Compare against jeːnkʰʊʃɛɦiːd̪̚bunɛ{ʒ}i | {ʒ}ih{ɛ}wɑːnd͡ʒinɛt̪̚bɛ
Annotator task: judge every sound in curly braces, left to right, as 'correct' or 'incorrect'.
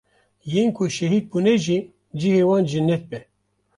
correct, incorrect: d͡ʒ, incorrect: e

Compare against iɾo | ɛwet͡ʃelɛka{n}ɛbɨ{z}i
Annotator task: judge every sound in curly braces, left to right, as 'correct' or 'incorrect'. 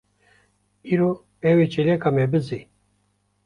incorrect: m, correct

